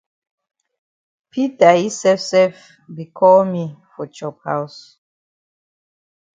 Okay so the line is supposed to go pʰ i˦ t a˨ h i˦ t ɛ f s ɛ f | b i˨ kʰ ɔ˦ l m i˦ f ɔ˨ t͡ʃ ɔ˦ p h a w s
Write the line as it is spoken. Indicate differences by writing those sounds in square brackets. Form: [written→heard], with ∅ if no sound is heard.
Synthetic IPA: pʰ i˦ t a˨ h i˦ [t→s] ɛ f s ɛ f | b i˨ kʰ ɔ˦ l m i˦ f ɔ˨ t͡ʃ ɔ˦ p h a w s